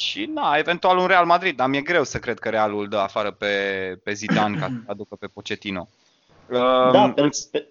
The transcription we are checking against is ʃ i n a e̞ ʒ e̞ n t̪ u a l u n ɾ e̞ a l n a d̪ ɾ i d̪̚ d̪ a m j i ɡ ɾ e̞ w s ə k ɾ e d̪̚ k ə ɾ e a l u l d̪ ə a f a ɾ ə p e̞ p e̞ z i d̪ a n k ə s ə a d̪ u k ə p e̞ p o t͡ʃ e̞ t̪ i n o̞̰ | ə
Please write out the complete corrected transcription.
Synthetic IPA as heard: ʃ i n a e̞ v e̞ n t̪ u a l u n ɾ e̞ a l m a d̪ ɾ i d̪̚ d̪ a m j e ɡ ɾ e̞ w s ə k ɾ e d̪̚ k ə ɾ e a l u l d̪ ə a f a ɾ ə p e̞ p e̞ z i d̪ a n k a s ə a d̪ u k ə p e̞ p o t͡ʃ e̞ t̪ i n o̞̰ | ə